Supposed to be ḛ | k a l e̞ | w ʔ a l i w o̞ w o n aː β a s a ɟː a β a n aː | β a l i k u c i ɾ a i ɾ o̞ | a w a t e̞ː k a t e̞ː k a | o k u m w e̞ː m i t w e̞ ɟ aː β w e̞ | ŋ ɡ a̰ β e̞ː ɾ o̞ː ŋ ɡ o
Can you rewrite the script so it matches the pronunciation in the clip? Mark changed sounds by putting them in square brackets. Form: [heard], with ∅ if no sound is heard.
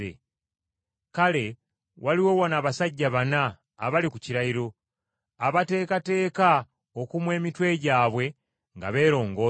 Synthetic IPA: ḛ | k a l e̞ | w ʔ a l i w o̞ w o n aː β a s a ɟː a β a n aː | β a l i k u c i ɾ a i ɾ o̞ | a [β] a t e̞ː k a t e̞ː k a | o k u m w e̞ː m i t w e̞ ɟ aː β w e̞ | ŋ ɡ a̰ β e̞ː ɾ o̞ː ŋ ɡ o